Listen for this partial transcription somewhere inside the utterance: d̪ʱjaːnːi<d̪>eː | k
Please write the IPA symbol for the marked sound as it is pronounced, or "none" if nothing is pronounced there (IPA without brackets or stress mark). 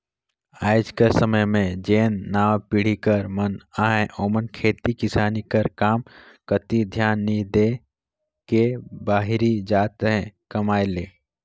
d̪